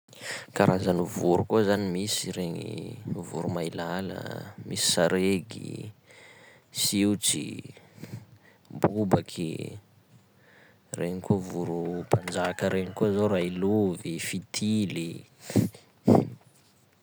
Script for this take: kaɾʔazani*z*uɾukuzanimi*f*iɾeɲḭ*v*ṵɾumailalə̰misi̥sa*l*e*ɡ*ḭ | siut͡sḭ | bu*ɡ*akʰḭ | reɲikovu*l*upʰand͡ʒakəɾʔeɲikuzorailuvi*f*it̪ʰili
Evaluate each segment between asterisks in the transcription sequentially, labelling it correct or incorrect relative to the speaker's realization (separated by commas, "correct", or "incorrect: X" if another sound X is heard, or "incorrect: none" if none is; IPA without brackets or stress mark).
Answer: incorrect: v, incorrect: s, correct, incorrect: ɾ, correct, incorrect: b, incorrect: ɾ, correct